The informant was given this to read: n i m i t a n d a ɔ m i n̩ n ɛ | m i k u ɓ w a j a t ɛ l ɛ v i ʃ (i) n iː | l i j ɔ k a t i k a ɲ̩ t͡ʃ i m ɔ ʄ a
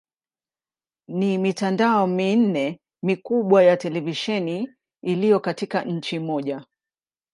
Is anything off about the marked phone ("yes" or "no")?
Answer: yes